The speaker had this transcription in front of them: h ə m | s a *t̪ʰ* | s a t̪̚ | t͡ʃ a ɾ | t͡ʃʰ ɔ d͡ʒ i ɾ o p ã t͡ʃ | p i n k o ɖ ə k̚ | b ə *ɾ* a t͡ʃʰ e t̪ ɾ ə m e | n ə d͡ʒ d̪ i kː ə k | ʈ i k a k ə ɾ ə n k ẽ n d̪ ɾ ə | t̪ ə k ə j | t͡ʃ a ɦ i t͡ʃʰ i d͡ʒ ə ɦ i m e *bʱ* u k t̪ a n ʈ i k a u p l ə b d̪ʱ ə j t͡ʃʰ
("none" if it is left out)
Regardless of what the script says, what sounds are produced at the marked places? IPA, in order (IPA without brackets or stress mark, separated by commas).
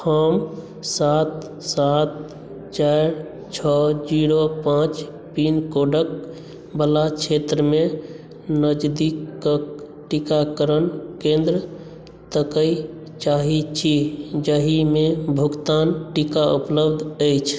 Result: t̪, l, bʱ